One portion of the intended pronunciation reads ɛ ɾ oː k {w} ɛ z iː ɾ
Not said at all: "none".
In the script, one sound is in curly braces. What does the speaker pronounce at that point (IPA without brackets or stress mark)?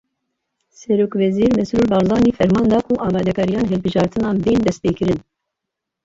v